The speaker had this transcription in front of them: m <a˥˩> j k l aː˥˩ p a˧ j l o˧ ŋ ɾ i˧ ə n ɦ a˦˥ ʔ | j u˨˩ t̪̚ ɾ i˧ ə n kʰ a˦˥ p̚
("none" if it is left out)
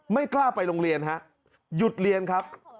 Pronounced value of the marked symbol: a˥˩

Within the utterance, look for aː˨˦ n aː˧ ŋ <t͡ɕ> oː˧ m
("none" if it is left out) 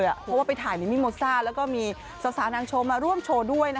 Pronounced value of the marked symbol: t͡ɕʰ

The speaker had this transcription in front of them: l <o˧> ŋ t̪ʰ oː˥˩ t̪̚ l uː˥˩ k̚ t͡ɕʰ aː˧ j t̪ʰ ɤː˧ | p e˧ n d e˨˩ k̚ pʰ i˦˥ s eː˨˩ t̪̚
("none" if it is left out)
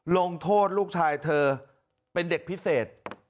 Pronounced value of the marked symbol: o˧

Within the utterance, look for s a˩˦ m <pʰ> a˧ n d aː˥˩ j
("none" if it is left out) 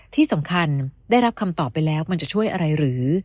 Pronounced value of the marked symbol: kʰ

